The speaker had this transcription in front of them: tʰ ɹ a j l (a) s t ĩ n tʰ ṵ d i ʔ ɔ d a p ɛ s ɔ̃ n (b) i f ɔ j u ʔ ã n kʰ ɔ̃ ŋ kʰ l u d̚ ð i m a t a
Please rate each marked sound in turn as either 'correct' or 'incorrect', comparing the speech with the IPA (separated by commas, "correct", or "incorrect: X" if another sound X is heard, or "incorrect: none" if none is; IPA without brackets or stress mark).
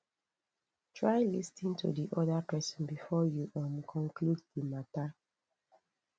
incorrect: i, correct